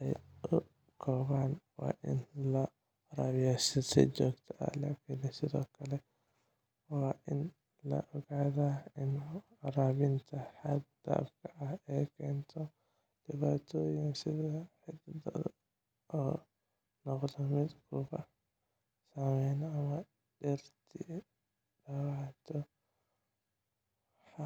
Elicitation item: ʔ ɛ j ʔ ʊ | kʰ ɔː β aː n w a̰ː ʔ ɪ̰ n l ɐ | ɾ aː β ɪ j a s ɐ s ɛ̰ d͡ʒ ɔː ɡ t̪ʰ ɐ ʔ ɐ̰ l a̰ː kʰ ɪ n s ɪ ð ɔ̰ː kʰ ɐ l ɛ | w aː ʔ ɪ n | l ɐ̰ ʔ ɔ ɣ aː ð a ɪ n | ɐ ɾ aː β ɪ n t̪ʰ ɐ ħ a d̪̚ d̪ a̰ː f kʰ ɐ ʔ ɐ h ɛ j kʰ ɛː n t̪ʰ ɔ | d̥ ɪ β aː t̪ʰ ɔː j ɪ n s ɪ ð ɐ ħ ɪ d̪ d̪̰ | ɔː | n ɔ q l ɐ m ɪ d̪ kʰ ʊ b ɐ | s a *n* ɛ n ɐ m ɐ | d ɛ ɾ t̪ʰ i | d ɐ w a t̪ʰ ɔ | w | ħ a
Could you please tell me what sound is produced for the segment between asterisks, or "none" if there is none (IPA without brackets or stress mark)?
m